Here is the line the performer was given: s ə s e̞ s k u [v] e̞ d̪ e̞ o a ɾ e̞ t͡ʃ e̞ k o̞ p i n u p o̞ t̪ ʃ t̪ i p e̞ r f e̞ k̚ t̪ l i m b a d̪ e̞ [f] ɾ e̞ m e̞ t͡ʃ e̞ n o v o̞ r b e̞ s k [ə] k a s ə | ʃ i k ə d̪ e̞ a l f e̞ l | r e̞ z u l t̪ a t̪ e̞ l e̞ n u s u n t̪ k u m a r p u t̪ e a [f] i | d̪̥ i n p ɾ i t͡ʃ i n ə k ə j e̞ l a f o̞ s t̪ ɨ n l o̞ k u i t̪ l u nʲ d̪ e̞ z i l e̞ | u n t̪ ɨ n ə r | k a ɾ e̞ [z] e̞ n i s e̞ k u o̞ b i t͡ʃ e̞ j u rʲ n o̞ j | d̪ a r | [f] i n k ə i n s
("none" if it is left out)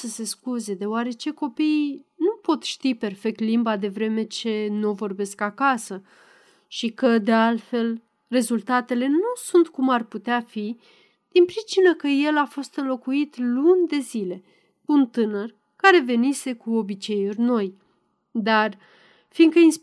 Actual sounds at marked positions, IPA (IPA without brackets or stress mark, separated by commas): z, v, a, f, v, f